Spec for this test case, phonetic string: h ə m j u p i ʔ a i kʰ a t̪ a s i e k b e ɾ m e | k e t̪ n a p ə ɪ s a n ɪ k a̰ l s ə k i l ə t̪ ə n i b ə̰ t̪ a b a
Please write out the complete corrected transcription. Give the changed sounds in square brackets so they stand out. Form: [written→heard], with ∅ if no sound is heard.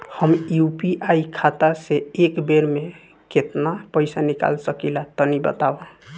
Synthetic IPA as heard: h ə m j u p i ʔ a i kʰ a t̪ a s [i→e] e k b e ɾ m e | k e t̪ n a p ə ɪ s a n [ɪ→i] k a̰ l s ə k i l [ə→a] t̪ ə n i b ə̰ t̪ a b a